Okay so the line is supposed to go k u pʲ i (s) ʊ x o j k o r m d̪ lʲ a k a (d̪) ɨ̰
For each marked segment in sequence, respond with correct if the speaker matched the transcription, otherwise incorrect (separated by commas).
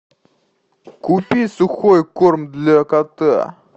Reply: correct, incorrect